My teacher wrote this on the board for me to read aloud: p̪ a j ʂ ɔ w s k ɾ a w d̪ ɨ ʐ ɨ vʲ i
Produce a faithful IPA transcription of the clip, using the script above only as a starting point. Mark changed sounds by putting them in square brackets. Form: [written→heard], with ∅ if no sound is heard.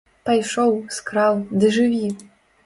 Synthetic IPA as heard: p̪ a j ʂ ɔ w s k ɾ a w d̪ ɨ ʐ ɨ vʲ i